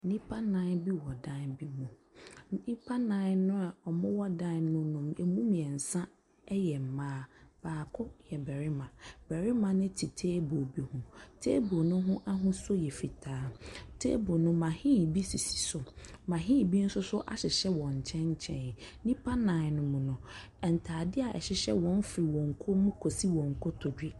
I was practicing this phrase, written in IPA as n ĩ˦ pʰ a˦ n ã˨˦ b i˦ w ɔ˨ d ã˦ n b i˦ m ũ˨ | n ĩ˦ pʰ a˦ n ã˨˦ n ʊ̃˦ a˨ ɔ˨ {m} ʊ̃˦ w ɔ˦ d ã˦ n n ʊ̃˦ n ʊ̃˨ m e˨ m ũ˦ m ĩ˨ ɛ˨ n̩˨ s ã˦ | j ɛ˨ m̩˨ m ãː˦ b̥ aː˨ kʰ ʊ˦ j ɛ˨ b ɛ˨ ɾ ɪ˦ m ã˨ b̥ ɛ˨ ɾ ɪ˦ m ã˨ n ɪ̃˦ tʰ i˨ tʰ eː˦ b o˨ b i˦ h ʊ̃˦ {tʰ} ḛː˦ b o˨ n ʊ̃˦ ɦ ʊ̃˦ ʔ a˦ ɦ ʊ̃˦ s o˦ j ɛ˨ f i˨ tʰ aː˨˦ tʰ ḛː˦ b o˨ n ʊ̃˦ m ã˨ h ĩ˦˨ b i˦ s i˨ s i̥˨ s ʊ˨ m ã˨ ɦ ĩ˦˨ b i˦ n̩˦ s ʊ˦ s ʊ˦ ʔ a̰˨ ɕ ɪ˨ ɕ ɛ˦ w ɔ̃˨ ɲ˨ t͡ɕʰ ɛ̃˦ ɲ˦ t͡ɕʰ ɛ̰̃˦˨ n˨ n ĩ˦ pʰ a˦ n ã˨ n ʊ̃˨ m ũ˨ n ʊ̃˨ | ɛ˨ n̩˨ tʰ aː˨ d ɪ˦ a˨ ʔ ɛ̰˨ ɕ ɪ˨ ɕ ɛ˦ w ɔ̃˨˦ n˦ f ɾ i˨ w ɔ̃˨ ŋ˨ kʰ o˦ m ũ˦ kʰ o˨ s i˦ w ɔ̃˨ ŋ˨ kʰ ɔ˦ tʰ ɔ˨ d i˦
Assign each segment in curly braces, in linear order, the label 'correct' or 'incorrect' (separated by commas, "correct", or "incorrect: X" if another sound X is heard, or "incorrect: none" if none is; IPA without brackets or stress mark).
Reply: correct, correct